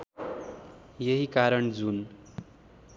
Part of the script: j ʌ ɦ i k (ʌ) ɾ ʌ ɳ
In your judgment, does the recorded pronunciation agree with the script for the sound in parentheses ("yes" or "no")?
no